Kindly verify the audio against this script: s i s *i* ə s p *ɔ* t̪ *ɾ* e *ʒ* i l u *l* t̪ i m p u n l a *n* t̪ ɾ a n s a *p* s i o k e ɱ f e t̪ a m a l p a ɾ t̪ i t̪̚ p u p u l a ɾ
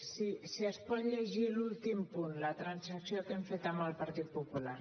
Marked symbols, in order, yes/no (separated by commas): yes, yes, no, yes, yes, no, no